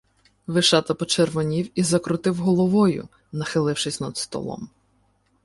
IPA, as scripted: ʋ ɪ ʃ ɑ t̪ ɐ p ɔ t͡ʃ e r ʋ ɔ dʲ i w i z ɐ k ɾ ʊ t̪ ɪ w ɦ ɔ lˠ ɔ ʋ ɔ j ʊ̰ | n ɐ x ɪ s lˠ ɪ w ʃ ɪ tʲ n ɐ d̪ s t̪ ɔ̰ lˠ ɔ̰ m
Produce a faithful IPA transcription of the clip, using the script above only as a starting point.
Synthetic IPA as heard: ʋ ɪ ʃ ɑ t̪ ɐ p ɔ t͡ʃ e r ʋ ɔ nʲ i w i z ɐ k ɾ ʊ t̪ ɪ w ɦ ɔ lˠ ɔ ʋ ɔ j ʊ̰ | n ɐ x ɪ lˠ ɪ w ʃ ɪ sʲ n ɐ d̪ s t̪ ɔ̰ lˠ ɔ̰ m